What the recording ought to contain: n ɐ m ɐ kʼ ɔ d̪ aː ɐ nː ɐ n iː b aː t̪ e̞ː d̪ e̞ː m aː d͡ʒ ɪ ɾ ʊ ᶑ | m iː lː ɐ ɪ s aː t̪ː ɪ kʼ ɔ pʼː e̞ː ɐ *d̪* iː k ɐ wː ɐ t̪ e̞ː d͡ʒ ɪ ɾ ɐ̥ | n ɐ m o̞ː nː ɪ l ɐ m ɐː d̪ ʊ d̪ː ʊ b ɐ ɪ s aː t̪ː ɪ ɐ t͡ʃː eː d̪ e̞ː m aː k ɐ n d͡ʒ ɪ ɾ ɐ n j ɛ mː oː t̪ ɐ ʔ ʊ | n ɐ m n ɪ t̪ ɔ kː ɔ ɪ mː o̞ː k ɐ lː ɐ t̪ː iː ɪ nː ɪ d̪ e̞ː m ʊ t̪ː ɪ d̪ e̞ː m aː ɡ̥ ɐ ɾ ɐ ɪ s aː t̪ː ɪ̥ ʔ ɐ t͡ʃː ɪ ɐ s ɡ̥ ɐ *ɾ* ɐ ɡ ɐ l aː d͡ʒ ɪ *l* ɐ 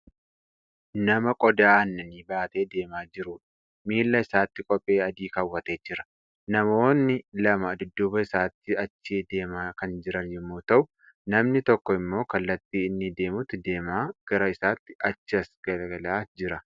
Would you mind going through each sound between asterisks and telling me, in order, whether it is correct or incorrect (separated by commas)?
correct, incorrect, incorrect